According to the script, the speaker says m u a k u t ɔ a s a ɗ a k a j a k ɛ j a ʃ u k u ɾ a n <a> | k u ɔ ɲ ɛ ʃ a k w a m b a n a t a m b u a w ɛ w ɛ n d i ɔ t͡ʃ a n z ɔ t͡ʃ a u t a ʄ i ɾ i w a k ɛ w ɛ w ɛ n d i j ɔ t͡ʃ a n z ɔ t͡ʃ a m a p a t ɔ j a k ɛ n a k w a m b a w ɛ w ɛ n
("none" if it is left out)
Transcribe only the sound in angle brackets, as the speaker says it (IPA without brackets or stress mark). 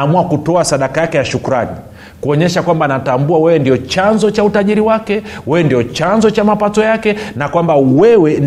i